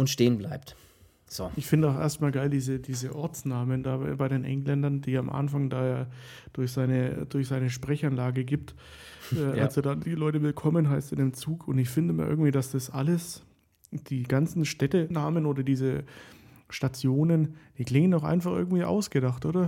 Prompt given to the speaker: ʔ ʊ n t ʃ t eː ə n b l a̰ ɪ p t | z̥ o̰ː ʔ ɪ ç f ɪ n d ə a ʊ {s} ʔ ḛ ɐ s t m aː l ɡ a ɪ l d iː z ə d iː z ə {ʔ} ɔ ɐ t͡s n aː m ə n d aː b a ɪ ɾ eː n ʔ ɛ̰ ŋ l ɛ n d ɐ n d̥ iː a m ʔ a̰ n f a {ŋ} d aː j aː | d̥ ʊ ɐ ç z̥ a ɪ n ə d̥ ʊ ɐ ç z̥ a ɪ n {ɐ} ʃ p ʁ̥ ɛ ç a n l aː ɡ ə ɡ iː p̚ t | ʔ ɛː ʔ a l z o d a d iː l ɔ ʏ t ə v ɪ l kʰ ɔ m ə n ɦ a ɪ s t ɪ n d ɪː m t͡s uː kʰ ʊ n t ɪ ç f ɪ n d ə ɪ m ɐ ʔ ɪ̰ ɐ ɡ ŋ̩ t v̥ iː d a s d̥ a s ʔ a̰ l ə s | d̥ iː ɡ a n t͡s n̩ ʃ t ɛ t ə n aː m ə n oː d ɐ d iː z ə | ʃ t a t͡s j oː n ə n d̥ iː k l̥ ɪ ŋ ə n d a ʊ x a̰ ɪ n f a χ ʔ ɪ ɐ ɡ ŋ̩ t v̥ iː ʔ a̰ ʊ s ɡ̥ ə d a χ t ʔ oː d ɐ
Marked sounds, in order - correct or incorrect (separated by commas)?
incorrect, correct, correct, incorrect